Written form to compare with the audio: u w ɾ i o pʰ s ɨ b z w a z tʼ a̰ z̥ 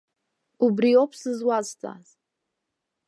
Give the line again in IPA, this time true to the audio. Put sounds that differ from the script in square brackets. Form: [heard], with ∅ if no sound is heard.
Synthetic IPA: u [b] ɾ i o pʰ s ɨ [∅] z w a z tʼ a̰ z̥